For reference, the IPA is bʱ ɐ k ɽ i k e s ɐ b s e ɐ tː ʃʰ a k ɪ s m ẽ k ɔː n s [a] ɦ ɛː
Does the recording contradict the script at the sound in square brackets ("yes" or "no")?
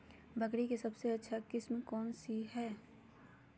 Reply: yes